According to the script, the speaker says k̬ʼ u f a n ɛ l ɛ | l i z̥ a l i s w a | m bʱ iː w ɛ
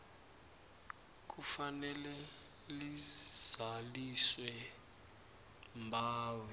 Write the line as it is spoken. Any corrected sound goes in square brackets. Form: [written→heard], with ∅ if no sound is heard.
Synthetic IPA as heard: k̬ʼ u f a n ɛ l ɛ | l i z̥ a l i s w [a→ɛ] | m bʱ [iː→aː] w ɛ